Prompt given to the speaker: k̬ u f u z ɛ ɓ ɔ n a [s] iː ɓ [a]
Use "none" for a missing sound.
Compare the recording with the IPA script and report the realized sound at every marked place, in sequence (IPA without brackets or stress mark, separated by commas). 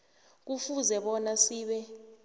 s, ɛ